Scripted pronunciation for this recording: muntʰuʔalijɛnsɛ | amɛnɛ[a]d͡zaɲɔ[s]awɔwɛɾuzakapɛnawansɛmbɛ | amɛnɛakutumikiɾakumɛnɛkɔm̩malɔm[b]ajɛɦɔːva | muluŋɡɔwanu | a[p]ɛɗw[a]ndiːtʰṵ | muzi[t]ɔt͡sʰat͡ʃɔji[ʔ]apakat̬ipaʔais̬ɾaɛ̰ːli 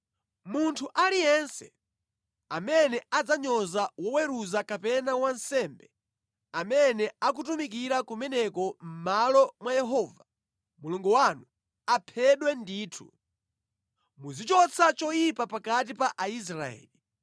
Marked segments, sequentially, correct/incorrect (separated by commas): correct, incorrect, incorrect, incorrect, incorrect, incorrect, incorrect